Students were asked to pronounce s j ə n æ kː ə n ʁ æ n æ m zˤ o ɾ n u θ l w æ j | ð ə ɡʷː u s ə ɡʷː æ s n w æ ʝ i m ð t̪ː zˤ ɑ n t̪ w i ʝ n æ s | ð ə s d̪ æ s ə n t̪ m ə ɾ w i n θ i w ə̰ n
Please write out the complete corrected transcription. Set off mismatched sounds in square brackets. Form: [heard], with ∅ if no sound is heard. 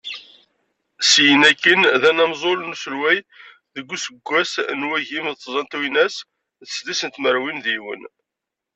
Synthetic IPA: s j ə n æ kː ə n [ð] æ n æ m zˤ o [l] n u [s] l w æ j | ð ə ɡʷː u s ə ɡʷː æ s n w æ ʝ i m ð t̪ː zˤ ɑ n t̪ w i [∅] n æ s | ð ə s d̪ [i] s ə n t̪ m ə ɾ w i n [ð] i w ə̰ n